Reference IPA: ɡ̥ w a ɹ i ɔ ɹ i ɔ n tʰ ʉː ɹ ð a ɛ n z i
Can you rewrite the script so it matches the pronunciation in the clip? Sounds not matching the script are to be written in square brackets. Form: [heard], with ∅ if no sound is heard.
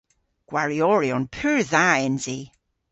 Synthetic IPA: ɡ̥ w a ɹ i ɔ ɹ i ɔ n [pʰ] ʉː ɹ ð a ɛ n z i